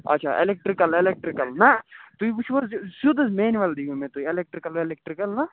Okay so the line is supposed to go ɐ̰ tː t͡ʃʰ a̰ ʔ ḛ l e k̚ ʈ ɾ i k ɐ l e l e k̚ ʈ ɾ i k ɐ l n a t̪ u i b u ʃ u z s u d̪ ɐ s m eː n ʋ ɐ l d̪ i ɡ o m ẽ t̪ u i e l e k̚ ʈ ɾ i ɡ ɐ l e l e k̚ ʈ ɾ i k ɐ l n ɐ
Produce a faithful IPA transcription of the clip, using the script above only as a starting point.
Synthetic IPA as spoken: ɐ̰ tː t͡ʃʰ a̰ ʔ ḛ l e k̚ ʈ ɾ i k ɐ l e l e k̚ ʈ ɾ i k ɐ l n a t̪ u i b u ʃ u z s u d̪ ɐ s m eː n ʋ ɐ l d̪ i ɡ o m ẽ t̪ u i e l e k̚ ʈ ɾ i k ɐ l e l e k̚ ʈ ɾ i k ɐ l n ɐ